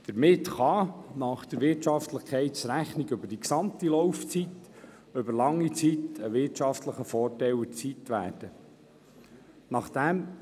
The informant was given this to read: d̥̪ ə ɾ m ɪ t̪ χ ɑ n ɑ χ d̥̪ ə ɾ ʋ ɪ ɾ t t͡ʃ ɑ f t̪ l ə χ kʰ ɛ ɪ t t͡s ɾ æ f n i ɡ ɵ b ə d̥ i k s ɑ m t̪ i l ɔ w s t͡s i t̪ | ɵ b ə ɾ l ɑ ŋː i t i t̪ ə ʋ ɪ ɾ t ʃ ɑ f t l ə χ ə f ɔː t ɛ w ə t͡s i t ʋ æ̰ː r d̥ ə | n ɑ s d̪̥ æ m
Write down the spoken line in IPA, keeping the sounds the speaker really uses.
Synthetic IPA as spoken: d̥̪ ə ɾ m ɪ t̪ χ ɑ n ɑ χ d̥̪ ə ɾ ʋ ɪ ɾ t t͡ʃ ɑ f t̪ l ə χ kʰ ɛ ɪ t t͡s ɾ æ χ n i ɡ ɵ b ə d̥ i k s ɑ m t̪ i l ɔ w f t͡s i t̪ | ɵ b ə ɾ l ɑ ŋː i t͡s i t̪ ə ʋ ɪ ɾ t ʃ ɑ f t l ə χ ə f ɔː t ɛ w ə t͡s i t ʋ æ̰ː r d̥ ə | n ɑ χ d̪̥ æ m